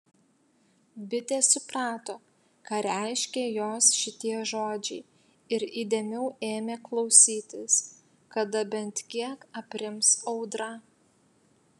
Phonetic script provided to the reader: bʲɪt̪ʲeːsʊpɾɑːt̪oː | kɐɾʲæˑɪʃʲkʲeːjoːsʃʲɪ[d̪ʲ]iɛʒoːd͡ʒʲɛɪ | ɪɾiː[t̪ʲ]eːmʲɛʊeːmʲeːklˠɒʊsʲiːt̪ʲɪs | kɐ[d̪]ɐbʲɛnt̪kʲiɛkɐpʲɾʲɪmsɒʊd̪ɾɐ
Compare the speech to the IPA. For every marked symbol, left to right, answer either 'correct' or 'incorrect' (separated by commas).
incorrect, incorrect, correct